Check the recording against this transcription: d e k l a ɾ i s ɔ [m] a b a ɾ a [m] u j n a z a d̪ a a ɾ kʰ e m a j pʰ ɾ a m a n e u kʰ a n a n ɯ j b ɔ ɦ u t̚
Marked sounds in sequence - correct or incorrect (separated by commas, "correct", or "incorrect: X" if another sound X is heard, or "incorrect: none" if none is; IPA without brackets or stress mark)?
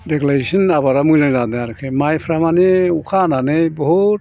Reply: incorrect: n, correct